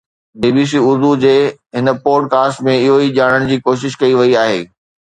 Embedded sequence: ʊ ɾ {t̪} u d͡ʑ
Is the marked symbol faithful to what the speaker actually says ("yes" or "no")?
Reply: no